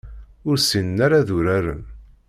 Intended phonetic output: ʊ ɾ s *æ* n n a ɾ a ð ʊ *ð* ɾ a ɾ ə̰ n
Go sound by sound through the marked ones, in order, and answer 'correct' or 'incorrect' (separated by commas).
incorrect, incorrect